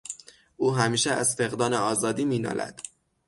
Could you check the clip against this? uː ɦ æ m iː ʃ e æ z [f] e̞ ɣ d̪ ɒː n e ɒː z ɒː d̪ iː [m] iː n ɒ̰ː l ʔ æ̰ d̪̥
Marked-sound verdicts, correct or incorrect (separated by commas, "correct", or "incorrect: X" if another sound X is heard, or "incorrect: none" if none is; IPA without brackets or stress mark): correct, correct